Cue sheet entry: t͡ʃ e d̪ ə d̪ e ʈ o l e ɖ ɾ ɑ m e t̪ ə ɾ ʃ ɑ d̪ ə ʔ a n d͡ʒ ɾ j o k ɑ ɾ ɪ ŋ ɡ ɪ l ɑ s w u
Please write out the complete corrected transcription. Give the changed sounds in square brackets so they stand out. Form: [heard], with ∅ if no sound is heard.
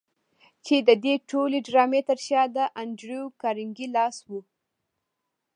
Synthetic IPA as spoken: t͡ʃ e d̪ ə d̪ e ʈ o l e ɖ ɾ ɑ m e t̪ ə ɾ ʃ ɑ d̪ ə ʔ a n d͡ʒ ɾ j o k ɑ ɾ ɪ ŋ ɡ [i] l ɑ s w u